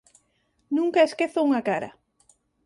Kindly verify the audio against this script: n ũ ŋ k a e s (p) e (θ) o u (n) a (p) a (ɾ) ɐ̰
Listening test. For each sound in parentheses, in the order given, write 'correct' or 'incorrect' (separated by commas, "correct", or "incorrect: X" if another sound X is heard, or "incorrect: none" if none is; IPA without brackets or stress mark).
incorrect: k, correct, incorrect: ŋ, incorrect: k, correct